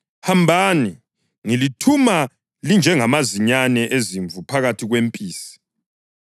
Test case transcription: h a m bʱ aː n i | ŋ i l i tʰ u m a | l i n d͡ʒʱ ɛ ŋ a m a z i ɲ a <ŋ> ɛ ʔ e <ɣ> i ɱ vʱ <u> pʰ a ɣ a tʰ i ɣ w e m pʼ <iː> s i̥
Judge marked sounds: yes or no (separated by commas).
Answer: no, no, yes, yes